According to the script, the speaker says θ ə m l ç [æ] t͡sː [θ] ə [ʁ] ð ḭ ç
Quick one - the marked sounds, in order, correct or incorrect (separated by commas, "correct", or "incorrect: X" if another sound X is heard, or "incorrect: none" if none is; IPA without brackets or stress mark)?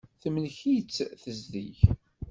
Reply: incorrect: i, correct, incorrect: z